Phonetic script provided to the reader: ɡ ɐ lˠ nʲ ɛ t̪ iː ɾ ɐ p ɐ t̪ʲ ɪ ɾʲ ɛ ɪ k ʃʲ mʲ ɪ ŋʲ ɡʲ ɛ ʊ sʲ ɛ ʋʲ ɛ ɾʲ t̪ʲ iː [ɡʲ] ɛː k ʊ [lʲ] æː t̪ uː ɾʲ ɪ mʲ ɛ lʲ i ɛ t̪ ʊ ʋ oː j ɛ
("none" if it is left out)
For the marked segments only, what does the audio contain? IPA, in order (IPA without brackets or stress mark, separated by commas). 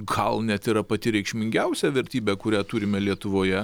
bʲ, ɾʲ